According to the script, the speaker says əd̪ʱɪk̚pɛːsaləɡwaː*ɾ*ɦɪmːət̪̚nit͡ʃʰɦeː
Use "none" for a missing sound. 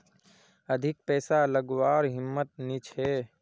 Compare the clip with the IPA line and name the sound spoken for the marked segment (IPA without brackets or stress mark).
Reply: ɾ